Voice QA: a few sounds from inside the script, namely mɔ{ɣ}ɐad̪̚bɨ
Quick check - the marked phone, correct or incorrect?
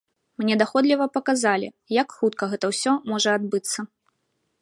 incorrect: ʐ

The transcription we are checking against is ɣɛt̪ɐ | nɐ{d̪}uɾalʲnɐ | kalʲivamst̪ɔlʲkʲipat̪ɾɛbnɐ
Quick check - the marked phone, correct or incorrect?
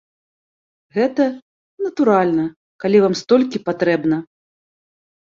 incorrect: t̪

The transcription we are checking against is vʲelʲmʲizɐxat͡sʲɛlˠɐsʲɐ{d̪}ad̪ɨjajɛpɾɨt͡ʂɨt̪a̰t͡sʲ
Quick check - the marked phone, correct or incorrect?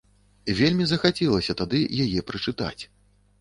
incorrect: t̪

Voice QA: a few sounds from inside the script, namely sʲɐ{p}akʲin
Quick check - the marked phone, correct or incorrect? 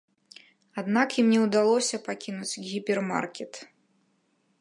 correct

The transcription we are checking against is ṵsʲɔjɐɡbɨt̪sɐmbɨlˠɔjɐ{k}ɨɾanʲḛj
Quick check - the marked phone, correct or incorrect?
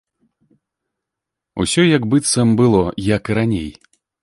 correct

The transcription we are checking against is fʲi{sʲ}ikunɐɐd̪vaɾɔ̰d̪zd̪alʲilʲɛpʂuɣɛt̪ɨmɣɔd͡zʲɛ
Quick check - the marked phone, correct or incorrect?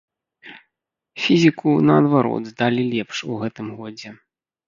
incorrect: zʲ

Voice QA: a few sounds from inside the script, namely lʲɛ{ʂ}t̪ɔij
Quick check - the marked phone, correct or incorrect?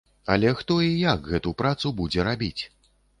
incorrect: x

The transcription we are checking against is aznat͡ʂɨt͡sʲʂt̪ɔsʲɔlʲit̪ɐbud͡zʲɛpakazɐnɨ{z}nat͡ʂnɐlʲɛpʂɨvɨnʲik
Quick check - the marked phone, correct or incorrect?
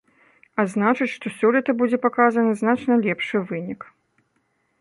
correct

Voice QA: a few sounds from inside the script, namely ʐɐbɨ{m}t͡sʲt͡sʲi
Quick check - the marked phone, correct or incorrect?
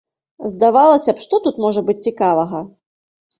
incorrect: none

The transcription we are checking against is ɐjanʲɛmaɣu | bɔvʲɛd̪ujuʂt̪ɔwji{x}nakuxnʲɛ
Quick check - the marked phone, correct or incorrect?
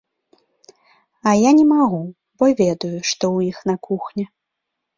correct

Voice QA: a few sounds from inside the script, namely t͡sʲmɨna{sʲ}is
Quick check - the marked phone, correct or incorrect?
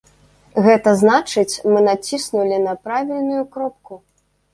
incorrect: t͡sʲ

